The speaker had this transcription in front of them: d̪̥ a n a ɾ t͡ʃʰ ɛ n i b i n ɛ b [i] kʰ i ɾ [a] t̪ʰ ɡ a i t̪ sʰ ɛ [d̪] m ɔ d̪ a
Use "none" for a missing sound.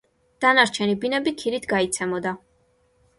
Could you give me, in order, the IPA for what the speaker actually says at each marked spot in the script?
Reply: i, i, none

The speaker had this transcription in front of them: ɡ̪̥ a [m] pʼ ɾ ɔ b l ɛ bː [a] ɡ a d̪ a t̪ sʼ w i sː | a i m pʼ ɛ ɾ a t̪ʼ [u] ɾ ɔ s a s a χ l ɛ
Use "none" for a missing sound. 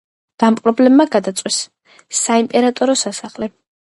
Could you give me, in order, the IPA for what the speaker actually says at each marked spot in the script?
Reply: m, a, ɔ

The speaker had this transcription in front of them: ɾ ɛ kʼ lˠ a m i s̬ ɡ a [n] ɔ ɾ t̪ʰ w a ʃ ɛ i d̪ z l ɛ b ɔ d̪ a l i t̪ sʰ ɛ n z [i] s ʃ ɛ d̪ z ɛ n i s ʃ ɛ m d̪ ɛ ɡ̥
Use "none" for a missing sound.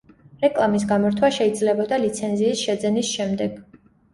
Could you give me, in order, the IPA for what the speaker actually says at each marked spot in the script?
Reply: m, iː

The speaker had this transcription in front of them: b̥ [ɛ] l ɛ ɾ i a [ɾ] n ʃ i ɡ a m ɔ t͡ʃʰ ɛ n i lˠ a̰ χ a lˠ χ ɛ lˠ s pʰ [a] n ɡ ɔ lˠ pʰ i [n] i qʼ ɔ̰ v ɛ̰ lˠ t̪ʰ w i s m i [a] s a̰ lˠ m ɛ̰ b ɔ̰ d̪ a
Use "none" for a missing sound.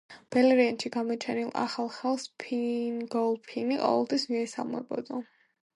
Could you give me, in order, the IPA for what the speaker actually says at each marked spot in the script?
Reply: ɛ, none, i, n, ɛ

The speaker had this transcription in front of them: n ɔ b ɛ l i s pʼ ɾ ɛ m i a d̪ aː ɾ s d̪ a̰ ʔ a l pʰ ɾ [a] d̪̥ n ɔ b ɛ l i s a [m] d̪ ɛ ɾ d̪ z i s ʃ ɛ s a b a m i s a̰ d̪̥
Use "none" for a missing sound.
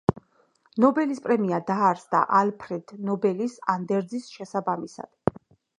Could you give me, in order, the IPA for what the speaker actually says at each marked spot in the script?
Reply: ɛ, n

